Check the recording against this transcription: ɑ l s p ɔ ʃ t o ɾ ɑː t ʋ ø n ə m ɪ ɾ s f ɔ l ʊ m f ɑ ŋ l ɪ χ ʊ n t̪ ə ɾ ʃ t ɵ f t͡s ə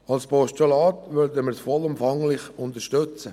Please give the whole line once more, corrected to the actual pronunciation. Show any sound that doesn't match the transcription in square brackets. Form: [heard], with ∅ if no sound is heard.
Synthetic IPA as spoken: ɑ l s p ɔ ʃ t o [l] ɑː t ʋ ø [d] ə m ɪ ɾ s f ɔ l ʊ m f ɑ ŋ l ɪ χ ʊ n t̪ ə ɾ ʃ t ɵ [∅] t͡s ə